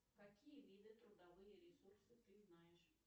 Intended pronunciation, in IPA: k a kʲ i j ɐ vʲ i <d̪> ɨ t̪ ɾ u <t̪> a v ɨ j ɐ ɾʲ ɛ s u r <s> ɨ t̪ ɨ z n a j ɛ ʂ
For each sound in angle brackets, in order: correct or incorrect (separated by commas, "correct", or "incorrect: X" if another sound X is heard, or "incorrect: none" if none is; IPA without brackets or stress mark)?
correct, incorrect: d̪, correct